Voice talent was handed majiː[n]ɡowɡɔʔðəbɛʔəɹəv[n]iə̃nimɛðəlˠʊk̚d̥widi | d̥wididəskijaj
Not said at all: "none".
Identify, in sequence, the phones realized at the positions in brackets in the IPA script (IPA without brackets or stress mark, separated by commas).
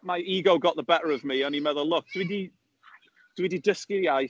none, m